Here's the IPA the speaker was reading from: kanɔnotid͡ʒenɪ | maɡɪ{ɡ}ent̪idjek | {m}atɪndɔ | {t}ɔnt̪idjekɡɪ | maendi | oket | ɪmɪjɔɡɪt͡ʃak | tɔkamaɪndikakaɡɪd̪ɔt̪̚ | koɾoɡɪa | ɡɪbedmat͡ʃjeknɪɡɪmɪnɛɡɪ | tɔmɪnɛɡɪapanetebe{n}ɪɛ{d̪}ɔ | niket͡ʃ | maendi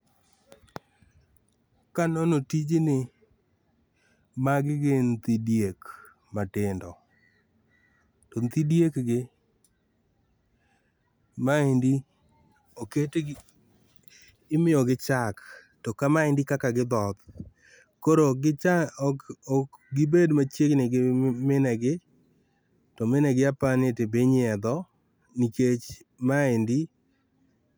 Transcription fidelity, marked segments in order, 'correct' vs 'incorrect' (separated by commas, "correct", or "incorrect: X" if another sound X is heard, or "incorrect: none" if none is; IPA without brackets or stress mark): correct, correct, correct, incorrect: ɲ, correct